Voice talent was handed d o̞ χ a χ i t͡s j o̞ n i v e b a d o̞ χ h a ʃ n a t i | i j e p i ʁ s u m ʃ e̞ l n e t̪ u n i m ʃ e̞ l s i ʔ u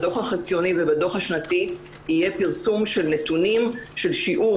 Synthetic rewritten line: d o̞ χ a χ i t͡s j o̞ n i v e b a d o̞ χ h a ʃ n a t i | i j e p i ʁ s u m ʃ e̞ l n e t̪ u n i m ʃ e̞ l ʃ i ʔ u